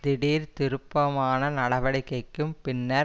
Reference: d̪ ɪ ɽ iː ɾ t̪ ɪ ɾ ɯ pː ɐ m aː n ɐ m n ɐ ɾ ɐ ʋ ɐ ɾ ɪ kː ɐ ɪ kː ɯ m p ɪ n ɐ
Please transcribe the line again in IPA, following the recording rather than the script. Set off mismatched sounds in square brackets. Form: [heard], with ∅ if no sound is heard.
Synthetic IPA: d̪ ɪ ɽ iː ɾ t̪ ɪ ɾ ɯ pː ɐ m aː n ɐ [∅] n ɐ [ɽ] ɐ ʋ ɐ [ɽ] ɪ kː ɐ ɪ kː ɯ m p ɪ [nː] ɐ